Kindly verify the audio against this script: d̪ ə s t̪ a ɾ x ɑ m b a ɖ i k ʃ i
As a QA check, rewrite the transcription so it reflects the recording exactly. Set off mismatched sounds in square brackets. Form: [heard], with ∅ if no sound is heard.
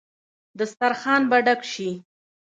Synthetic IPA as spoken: d̪ ə s t̪ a ɾ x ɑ [n] b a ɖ [a] k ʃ i